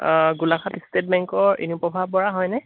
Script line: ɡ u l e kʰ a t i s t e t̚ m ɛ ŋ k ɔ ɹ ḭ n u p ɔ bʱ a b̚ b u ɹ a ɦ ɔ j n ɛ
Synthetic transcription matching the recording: ɡ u l a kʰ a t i s t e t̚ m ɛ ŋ k ɔ ɹ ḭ n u p ɔ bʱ a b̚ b ɔ ɹ a ɦ ɔ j n ɛ